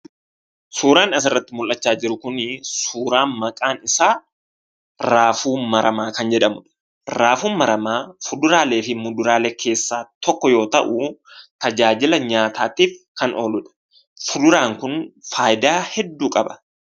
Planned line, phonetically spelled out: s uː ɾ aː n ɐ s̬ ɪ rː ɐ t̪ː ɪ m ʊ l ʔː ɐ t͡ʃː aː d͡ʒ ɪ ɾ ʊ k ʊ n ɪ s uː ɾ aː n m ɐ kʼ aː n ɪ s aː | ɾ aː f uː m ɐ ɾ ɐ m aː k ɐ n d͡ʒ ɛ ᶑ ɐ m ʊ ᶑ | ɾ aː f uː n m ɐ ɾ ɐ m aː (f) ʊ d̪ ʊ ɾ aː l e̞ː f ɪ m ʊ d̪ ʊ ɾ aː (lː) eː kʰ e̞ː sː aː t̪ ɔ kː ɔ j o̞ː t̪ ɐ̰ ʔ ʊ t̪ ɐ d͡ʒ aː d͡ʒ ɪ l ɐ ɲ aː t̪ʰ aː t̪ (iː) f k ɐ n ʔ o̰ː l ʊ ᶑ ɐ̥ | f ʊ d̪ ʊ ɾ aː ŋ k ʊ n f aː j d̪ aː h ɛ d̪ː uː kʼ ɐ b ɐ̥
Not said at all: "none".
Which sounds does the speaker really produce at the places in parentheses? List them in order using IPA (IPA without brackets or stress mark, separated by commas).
f, l, iː